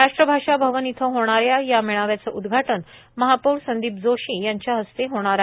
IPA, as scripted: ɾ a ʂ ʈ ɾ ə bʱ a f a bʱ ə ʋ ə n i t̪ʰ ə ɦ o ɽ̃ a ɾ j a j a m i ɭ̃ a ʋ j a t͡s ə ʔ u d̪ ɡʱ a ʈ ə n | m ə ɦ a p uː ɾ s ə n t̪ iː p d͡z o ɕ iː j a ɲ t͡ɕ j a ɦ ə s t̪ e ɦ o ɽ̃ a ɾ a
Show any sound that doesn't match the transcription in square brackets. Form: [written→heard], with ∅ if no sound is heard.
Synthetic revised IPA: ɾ a ʂ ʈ ɾ ə bʱ a [f→ʂ] a bʱ ə ʋ ə n i t̪ʰ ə ɦ o ɽ̃ a ɾ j a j a m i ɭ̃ a ʋ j a t͡s ə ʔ u d̪ ɡʱ a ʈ ə n | m ə ɦ a p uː ɾ s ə n [t̪→d̪] iː p d͡z o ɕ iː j a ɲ t͡ɕ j a ɦ ə s t̪ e ɦ o ɽ̃ a ɾ a